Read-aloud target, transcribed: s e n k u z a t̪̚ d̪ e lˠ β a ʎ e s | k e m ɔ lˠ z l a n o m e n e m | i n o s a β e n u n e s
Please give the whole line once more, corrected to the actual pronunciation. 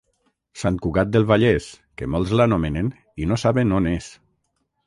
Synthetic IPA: s a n k u ɣ a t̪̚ d̪ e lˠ β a ʎ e s | k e m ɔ lˠ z l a n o m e n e n | i n o s a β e n o n e s